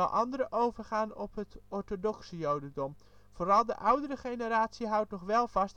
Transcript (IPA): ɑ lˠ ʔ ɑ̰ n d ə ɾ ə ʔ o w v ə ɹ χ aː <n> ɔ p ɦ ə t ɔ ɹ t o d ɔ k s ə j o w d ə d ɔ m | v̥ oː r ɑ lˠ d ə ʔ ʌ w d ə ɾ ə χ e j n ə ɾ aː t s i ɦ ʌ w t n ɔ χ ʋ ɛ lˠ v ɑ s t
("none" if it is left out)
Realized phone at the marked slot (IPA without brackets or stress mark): n